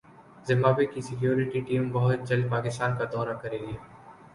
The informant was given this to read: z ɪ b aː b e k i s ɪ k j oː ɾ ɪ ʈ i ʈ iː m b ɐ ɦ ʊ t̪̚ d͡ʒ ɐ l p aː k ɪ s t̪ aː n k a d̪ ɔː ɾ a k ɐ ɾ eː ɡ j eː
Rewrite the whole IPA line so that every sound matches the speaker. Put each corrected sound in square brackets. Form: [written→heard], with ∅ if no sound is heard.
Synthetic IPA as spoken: z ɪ [b→m] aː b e k i s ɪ k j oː ɾ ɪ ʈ i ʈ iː m b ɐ ɦ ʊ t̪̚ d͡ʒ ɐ l p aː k ɪ s t̪ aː n k a d̪ ɔː ɾ a k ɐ ɾ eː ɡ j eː